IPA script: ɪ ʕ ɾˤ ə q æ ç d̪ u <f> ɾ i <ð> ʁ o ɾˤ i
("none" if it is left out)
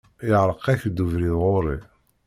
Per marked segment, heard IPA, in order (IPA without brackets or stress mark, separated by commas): v, ð